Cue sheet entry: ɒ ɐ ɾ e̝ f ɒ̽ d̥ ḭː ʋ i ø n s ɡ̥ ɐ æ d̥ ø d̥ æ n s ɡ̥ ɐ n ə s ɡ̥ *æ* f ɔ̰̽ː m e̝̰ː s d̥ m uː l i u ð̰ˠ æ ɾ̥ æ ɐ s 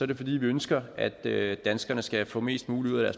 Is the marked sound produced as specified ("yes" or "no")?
yes